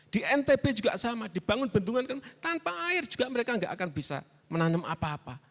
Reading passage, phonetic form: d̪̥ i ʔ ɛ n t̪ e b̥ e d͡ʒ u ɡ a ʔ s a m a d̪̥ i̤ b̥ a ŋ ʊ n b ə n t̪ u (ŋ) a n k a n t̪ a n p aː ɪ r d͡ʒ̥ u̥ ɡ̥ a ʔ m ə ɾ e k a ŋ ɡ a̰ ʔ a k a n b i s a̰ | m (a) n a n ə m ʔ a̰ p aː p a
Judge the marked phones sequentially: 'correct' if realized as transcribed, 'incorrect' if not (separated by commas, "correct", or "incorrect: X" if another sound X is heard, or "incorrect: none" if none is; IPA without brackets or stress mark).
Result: correct, incorrect: ə